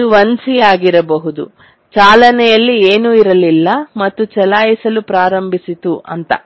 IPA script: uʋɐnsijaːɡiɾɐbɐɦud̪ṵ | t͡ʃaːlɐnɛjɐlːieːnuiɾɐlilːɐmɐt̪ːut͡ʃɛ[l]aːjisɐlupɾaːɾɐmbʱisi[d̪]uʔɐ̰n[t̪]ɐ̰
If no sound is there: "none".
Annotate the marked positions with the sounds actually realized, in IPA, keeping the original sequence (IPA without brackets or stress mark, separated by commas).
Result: l, t̪, t̪